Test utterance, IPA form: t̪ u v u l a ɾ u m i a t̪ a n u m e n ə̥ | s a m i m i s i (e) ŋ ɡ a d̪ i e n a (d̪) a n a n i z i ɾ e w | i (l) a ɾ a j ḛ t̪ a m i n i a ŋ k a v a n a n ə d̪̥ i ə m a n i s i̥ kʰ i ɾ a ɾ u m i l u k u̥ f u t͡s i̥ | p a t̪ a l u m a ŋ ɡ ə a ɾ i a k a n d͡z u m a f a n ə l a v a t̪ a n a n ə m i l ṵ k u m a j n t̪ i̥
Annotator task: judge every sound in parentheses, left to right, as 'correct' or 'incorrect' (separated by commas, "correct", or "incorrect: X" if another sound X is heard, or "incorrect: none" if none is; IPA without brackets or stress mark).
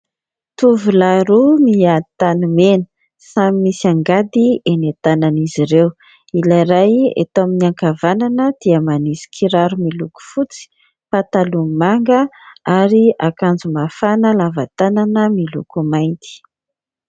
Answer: incorrect: a, incorrect: t̪, correct